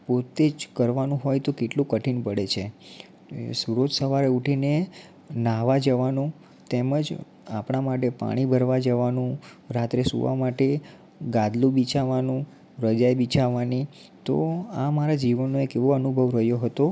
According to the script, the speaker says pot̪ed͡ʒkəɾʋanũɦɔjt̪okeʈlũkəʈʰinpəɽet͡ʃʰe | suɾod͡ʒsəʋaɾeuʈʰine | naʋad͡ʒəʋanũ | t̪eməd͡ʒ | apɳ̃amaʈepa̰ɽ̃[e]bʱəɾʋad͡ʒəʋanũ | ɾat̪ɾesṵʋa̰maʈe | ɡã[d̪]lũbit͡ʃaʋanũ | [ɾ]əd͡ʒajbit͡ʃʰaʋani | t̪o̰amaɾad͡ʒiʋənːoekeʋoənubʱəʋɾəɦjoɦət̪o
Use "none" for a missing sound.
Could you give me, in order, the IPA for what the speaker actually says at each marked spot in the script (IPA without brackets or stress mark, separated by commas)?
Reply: i, d̪, ɾ